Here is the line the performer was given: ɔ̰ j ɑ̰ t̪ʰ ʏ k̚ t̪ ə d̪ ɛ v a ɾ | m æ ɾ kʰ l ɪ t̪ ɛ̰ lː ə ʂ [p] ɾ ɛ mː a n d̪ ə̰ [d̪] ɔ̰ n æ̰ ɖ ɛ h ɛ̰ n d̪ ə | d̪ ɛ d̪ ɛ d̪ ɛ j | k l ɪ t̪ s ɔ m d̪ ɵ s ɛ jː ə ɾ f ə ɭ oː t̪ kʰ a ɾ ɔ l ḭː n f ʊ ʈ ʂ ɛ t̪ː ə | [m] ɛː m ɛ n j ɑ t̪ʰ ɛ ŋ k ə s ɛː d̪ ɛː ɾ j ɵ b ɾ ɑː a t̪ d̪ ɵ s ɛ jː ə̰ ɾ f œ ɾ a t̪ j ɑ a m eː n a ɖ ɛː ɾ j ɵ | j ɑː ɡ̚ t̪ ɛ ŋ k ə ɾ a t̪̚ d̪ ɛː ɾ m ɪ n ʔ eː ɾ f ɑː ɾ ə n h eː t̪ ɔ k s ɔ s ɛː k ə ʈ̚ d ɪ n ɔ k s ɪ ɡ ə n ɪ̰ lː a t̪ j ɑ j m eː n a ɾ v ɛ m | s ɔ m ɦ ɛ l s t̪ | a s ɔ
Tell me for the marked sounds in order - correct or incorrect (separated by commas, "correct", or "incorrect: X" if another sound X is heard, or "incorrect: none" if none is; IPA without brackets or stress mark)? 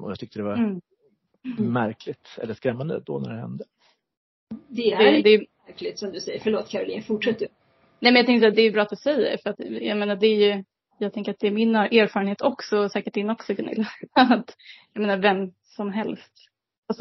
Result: incorrect: k, correct, incorrect: n